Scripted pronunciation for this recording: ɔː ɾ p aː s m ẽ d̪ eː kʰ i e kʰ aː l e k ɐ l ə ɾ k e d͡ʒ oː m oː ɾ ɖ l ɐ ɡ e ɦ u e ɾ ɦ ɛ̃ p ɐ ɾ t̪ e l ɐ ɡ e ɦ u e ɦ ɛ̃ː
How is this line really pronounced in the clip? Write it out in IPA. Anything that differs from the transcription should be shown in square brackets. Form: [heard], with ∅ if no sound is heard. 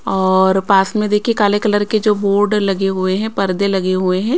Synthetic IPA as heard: ɔː ɾ p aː s m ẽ d̪ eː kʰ i e [k] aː l e k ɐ l ə ɾ k e d͡ʒ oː [b] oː ɾ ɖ l ɐ ɡ e ɦ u e [∅] ɦ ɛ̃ p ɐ ɾ [d̪] e l ɐ ɡ e ɦ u e ɦ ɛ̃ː